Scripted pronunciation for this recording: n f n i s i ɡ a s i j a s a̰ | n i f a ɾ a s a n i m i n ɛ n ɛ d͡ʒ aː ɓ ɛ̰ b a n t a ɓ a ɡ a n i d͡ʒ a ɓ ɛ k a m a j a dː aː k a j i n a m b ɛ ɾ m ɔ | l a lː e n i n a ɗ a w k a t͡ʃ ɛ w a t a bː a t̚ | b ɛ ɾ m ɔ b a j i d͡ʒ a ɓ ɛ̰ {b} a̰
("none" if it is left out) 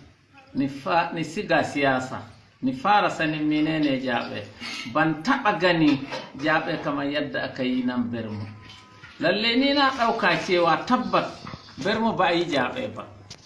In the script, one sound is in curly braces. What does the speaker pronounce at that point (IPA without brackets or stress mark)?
b